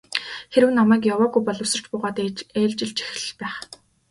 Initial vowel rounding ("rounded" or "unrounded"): unrounded